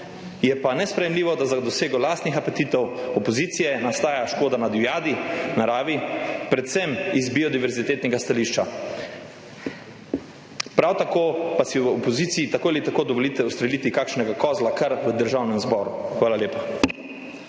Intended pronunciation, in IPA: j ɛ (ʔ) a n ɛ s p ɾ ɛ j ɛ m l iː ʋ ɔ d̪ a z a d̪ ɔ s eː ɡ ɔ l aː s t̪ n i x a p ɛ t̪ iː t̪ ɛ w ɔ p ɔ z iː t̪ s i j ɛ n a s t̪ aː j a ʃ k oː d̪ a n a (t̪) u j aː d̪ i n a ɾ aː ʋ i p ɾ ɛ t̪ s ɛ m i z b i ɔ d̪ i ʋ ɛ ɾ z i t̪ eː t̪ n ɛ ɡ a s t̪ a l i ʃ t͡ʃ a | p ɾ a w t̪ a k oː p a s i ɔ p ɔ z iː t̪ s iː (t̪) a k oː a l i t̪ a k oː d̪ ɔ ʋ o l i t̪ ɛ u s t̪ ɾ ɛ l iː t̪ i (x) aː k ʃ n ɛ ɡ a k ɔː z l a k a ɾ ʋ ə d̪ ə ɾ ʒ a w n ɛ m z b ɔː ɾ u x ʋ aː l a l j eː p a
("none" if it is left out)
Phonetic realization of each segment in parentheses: p, d̪, t̪, k

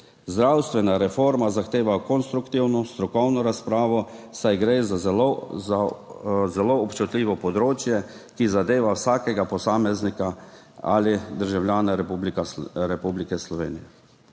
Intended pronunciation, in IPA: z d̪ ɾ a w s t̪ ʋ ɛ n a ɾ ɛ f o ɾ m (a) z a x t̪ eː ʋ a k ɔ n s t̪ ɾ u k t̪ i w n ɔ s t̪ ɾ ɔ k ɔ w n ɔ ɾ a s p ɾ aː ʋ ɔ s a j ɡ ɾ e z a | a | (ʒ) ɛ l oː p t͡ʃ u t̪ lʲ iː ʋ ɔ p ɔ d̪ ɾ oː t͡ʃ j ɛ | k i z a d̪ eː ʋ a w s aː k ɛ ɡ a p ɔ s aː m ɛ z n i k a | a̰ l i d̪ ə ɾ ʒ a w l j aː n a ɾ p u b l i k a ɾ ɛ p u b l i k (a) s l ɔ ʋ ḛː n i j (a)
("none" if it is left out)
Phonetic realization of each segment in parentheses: a, z, ɛ, ɛ

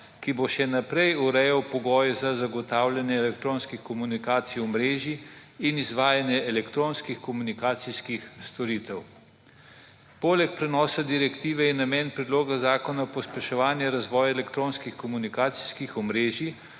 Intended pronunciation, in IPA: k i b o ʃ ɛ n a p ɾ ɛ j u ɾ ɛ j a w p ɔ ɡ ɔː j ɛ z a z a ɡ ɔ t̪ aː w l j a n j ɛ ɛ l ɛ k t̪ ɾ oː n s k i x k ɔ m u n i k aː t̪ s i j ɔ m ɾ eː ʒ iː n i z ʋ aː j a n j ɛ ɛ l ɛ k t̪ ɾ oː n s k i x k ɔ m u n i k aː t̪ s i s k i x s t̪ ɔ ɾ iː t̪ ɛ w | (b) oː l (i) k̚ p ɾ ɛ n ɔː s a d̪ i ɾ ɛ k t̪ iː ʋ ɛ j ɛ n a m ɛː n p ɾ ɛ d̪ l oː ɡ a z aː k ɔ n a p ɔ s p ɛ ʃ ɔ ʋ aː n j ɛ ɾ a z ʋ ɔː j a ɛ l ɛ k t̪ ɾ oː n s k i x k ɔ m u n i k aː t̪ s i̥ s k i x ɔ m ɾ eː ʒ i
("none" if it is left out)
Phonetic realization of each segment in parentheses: p, ɛ

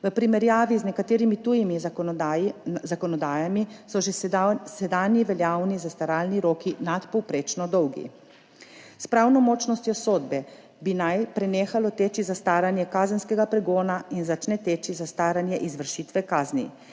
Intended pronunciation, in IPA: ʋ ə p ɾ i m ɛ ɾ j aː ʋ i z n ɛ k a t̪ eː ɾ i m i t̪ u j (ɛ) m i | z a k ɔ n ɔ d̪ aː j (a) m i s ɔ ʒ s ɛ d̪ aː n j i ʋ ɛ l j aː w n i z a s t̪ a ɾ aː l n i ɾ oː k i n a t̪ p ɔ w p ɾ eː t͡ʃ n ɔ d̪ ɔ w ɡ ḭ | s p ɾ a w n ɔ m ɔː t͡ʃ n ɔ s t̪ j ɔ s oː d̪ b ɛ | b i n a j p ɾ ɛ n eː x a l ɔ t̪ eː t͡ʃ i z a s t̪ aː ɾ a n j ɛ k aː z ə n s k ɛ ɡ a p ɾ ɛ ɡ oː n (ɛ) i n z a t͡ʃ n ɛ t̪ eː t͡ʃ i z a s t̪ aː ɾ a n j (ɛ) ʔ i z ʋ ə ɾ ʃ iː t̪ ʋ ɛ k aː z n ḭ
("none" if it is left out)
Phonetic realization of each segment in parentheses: i, a, a, ɛ

